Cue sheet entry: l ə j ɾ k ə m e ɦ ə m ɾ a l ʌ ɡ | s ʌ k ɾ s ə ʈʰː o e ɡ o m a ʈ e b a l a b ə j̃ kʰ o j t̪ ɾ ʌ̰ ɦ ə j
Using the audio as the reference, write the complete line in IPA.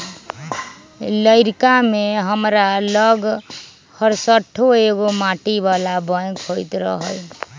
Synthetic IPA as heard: l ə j ɾ k a m e ɦ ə m ɾ a l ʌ ɡ | h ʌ ɾ s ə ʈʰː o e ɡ o m a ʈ i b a l a b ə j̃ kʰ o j t̪ ɾ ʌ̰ ɦ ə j